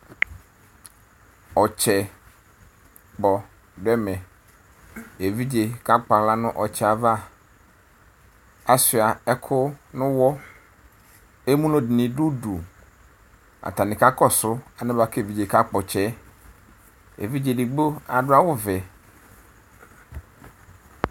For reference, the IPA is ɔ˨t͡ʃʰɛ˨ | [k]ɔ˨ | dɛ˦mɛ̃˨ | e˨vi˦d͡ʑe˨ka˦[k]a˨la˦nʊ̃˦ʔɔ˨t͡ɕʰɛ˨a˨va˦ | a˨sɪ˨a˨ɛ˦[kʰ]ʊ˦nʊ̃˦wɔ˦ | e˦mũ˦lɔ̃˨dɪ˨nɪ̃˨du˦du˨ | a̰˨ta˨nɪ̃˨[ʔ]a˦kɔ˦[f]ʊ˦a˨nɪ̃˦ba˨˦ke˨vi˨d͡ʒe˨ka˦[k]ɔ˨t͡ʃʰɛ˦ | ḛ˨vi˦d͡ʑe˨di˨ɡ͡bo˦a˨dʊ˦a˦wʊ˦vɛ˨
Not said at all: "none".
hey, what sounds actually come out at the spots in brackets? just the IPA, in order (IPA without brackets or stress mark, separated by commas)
k͡p, k͡p, kʰ, k, s, k͡p